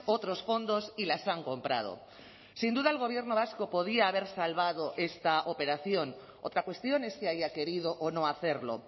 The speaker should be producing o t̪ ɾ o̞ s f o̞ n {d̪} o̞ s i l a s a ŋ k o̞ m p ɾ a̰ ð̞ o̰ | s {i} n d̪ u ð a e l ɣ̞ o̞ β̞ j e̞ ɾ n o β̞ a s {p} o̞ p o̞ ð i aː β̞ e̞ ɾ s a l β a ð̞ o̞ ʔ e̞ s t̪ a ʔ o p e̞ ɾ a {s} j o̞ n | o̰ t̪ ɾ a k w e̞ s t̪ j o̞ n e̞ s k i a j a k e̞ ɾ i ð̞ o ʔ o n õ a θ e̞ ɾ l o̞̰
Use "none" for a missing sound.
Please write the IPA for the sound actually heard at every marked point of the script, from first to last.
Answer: d̪, i, k, θ

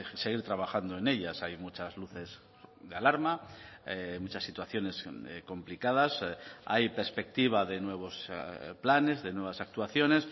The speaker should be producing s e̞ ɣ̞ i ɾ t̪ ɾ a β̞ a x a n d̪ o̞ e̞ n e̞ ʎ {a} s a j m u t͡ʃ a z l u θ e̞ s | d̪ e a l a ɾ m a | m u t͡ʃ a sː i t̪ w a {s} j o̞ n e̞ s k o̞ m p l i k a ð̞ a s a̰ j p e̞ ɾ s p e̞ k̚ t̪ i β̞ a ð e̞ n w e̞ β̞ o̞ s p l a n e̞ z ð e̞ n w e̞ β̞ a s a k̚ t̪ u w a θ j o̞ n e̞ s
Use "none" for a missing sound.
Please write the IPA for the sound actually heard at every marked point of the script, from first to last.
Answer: a, θ

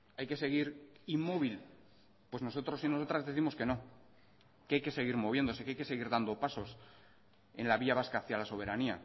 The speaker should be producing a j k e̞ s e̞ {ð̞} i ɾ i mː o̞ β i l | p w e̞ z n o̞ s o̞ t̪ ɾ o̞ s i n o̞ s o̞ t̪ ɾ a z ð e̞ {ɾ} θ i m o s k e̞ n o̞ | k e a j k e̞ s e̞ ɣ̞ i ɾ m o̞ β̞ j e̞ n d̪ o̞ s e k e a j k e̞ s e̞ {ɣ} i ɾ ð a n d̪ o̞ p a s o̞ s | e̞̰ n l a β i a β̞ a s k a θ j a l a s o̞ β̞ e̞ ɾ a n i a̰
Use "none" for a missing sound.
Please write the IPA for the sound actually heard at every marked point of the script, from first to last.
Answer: ɣ̞, none, ɣ

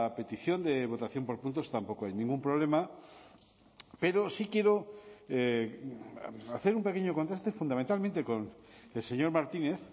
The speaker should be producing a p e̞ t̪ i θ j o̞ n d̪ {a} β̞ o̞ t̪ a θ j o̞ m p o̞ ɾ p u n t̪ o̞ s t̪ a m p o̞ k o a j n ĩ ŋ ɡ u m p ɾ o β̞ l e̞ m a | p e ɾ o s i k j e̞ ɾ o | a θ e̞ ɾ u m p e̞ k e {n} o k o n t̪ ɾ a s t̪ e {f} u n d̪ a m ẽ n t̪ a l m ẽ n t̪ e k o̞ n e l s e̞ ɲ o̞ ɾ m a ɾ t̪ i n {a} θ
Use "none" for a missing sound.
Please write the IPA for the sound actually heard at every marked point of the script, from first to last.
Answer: e, ɲ, f, e

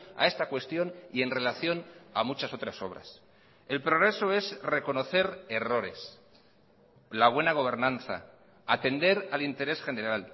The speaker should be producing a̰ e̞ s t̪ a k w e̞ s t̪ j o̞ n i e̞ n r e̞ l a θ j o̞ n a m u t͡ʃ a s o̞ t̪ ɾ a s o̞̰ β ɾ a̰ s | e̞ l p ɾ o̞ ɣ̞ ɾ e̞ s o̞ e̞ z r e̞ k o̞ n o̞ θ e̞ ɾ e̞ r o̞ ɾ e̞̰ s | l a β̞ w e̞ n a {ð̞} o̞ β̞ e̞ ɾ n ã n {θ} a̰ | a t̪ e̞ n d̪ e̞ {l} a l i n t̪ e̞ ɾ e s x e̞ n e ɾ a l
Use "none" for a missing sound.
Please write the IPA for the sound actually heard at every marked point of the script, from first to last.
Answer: ɣ̞, θ, ɾ

